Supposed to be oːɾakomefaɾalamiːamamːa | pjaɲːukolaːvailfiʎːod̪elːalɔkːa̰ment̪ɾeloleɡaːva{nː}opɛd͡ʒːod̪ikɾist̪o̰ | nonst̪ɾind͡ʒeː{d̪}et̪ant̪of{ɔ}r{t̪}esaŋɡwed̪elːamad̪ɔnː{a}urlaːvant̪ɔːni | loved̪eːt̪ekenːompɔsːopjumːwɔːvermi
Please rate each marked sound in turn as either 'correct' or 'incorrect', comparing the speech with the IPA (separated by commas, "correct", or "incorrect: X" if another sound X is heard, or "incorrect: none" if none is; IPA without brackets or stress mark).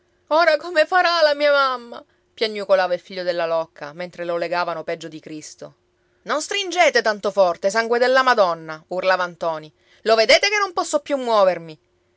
incorrect: n, incorrect: t̪, correct, correct, correct